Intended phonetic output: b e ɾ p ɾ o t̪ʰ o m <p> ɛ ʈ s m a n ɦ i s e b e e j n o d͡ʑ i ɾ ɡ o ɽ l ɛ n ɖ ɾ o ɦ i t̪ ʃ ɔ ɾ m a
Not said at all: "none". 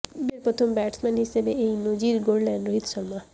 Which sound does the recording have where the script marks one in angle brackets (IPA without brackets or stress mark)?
b